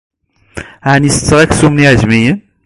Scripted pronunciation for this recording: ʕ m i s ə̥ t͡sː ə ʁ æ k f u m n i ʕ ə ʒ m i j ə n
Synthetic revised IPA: ʕ n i s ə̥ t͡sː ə ʁ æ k s u m n i ʕ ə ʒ m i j ə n

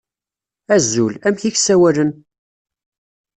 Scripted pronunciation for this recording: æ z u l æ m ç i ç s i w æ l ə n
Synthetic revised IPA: æ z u l æ m ç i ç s æ w æ l ə n

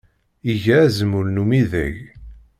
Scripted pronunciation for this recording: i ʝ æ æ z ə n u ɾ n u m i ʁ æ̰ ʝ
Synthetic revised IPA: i ʝ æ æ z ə m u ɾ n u m i ð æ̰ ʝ

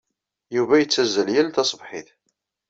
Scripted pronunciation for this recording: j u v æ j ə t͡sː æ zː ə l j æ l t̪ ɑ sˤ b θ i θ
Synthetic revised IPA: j u v æ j ə t͡sː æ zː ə l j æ l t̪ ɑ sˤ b ħ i θ

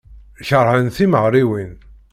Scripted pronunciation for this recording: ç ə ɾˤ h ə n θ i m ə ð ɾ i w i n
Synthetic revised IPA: ç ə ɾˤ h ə n θ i m ə ʁ ɾ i w i n

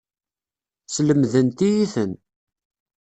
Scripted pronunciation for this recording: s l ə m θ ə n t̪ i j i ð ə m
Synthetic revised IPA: s l ə m ð ə n t̪ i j i θ ə n

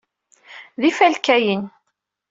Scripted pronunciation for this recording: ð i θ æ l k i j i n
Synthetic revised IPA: ð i f æ l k æ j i n

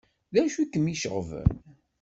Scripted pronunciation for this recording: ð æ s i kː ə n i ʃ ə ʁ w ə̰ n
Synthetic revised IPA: ð æ ʃ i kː ə m i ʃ ə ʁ v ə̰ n

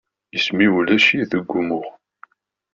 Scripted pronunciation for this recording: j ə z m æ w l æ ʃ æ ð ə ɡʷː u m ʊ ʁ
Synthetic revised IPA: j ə s m i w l æ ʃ i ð ə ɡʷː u m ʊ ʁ

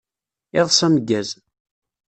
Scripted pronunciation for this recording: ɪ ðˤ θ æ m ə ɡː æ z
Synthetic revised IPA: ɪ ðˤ s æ m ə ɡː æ z

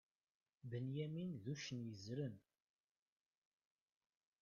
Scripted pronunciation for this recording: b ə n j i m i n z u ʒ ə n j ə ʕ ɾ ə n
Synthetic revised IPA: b ə n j æ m i n ð u ʃ ə n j ə z ɾ ə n

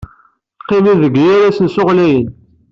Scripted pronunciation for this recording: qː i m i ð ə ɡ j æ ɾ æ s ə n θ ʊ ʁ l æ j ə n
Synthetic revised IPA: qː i m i ð ə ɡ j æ ɾ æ s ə n s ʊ ʁ l æ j ə n

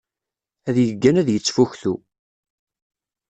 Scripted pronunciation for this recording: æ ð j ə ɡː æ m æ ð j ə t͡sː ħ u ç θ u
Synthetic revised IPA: æ ð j ə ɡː æ n æ ð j ə t͡sː f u ç θ u

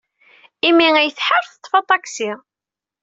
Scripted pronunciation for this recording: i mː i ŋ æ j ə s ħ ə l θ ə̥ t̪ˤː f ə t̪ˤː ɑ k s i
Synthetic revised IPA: i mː i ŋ æ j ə θ ħ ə ɾ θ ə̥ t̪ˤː f ɑ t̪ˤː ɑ k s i

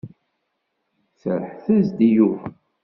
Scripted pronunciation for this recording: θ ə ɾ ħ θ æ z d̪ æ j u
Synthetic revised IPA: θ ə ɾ ħ θ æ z d̪ i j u

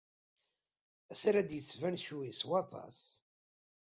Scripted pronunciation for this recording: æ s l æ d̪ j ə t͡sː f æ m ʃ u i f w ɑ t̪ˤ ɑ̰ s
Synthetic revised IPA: æ s ɾ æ d̪ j ə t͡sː v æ n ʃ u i s w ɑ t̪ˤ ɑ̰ s

